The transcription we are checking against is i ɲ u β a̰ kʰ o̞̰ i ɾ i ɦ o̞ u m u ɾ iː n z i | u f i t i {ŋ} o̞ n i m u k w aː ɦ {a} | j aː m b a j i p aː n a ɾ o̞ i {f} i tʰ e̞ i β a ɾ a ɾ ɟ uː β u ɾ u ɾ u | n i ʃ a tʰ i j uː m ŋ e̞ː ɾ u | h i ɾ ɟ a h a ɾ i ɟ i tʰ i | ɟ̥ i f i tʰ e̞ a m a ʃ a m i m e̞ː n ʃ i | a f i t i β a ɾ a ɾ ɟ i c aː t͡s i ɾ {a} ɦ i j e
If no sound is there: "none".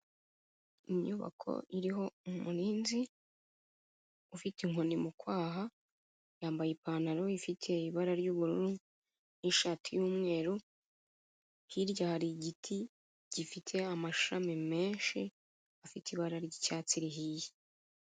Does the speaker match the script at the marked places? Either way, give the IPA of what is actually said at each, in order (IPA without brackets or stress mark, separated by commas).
ŋ, a, f, i